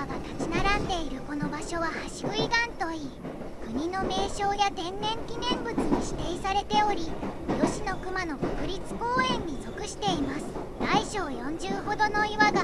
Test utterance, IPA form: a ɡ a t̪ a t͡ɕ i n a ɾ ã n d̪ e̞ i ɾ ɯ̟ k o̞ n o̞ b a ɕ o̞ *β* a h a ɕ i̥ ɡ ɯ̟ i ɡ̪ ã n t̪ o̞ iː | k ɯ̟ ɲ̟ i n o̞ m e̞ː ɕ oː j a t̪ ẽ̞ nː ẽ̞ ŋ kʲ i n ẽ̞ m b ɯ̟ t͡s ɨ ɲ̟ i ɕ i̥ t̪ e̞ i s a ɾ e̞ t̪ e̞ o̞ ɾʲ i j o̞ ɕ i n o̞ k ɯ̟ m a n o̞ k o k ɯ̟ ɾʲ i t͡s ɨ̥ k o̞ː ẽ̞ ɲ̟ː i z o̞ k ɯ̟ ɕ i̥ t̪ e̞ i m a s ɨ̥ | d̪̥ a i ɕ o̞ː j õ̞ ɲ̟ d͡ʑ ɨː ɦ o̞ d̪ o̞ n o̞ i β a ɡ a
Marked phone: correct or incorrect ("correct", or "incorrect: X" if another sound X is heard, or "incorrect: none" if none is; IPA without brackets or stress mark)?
correct